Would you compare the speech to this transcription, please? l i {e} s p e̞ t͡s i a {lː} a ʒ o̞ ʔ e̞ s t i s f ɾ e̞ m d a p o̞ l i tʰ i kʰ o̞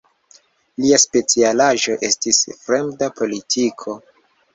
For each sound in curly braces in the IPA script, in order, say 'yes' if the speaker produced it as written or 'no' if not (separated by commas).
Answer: no, no